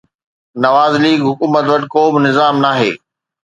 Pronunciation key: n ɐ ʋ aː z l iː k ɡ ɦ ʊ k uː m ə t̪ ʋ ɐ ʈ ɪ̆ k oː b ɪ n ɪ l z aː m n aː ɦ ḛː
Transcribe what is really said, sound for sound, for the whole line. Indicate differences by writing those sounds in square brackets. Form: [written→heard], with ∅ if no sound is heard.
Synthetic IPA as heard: n ɐ ʋ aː z l iː [k→∅] ɡ ɦ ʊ k uː m ə t̪ ʋ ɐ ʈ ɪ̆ k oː b ɪ n ɪ [l→∅] z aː m n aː ɦ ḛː